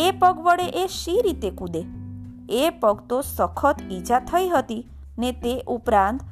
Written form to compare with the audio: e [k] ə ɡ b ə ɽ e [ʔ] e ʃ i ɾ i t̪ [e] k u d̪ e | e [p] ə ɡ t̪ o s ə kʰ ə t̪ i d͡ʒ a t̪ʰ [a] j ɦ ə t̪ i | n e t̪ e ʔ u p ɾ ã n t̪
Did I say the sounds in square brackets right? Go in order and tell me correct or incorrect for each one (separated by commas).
incorrect, correct, correct, correct, incorrect